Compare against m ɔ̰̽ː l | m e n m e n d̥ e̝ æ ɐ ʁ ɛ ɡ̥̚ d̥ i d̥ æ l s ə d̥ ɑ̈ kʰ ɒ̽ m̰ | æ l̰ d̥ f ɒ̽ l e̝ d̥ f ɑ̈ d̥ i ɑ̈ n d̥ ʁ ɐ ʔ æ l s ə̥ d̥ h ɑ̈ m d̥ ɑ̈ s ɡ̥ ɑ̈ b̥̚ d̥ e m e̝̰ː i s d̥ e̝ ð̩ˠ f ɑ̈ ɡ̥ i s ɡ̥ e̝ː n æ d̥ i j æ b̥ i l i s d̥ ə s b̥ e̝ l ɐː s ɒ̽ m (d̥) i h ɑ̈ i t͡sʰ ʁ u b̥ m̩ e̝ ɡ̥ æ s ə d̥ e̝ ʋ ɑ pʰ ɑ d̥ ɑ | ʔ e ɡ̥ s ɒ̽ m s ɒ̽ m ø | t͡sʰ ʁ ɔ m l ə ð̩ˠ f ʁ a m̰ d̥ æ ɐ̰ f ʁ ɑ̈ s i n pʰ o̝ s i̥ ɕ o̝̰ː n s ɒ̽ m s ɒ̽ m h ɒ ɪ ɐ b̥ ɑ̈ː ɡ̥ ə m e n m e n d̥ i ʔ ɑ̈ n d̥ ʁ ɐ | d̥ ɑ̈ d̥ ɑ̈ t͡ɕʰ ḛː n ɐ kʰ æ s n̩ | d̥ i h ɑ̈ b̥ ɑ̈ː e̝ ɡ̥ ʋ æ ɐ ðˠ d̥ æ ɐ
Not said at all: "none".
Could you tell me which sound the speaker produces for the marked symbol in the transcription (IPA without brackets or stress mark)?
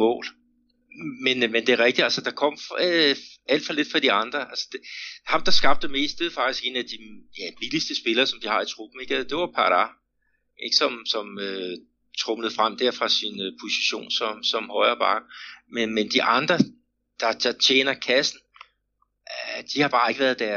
d̥